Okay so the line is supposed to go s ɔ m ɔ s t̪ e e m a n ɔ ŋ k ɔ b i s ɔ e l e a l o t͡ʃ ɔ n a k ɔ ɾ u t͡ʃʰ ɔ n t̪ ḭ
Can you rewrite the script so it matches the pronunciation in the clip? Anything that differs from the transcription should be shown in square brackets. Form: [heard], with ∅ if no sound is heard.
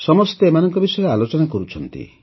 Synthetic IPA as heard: s ɔ m ɔ s t̪ e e m a n ɔ ŋ k ɔ b i s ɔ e [ɾ] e a l o t͡ʃ ɔ n a k ɔ ɾ u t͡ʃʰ ɔ n t̪ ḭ